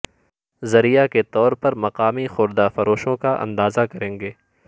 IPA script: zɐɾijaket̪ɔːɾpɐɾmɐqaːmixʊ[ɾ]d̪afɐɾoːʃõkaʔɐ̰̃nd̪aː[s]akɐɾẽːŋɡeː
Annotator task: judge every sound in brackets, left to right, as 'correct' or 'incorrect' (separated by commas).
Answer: correct, incorrect